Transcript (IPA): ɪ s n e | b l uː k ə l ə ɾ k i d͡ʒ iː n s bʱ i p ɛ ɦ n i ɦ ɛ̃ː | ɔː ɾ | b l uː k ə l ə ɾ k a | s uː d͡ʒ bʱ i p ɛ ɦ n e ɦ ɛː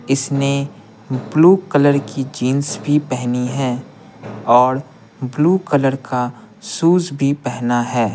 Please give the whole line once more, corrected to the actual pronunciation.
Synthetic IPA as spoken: ɪ s n e | b l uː k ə l ə ɾ k i d͡ʒ iː n s bʱ i p ɛ ɦ n i ɦ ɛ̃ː | ɔː ɾ | b l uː k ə l ə ɾ k a | s uː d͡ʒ bʱ i p ɛ ɦ n a ɦ ɛː